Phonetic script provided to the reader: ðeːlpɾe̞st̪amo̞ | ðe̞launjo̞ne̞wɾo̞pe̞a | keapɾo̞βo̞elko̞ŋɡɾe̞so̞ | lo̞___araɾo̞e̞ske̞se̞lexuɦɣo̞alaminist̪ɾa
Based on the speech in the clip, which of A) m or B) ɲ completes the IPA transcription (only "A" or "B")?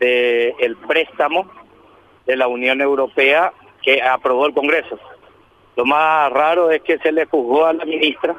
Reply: A